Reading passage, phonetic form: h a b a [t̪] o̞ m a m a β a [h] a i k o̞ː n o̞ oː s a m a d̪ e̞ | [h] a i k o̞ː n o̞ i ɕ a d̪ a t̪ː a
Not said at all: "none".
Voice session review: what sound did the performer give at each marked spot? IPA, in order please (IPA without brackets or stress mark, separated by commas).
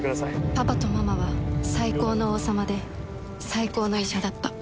t̪, s, s